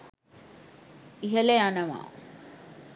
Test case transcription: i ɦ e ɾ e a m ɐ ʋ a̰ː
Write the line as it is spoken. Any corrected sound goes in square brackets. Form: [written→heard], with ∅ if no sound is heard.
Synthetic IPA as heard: i ɦ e [ɾ→l] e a [m→n] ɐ ʋ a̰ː